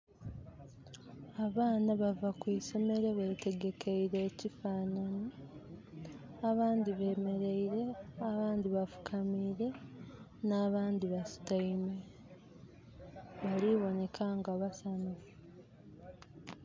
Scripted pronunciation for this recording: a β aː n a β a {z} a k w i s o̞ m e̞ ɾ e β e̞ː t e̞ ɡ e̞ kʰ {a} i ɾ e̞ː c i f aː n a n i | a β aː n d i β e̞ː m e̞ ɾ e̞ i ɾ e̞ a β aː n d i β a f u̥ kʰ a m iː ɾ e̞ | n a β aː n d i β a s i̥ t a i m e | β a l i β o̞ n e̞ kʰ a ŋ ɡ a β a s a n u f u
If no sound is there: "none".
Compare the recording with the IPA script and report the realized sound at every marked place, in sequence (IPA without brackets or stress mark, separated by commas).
v, e